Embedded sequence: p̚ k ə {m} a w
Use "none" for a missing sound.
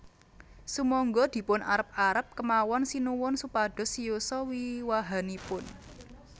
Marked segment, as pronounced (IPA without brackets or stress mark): m